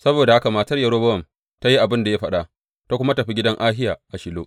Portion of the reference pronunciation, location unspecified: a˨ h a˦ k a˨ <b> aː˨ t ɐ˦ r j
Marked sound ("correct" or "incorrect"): incorrect